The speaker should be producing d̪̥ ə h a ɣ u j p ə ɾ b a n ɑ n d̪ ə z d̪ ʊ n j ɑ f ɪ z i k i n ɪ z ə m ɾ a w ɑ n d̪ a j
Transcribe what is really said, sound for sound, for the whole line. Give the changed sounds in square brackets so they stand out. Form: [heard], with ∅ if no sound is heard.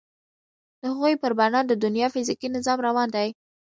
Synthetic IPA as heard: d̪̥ ə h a ɣ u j p ə ɾ b a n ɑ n d̪ ə [∅] d̪ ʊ n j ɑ f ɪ z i k i n ɪ z [ɑ] m ɾ a w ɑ n d̪ a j